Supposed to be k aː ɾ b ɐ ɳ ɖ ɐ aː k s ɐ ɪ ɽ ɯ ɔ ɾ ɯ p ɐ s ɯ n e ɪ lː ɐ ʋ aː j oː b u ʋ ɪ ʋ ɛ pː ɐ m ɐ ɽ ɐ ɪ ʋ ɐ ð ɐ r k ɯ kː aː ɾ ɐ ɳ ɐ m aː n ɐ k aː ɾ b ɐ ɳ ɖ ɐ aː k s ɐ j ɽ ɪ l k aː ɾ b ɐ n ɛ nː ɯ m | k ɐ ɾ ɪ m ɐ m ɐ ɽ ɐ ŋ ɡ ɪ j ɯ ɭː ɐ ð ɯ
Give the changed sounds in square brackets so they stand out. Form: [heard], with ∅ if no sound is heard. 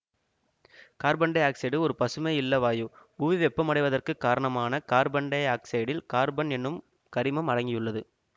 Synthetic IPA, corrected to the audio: k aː ɾ b ɐ ɳ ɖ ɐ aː k s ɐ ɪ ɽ ɯ ɔ ɾ ɯ p ɐ s ɯ [m] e ɪ lː ɐ ʋ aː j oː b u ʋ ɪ ʋ ɛ pː ɐ m ɐ ɽ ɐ ɪ ʋ ɐ ð ɐ r k ɯ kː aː ɾ ɐ ɳ ɐ m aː n ɐ k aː ɾ b ɐ ɳ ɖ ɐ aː k s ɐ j ɽ ɪ l k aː ɾ b ɐ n ɛ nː ɯ m | k ɐ ɾ ɪ m ɐ m ɐ ɽ ɐ ŋ ɡ ɪ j ɯ ɭː ɐ ð ɯ